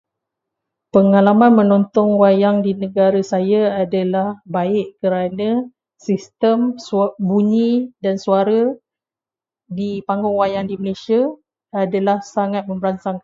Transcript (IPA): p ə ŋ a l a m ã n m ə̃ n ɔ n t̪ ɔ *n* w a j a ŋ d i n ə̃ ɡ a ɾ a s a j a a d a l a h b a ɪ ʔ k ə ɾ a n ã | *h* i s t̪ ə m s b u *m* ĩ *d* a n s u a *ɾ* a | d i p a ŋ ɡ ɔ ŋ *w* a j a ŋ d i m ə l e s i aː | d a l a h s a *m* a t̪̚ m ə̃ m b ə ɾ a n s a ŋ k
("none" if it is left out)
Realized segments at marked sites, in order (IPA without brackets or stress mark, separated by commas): ŋ, s, ɲ, d, ɾ, w, ŋ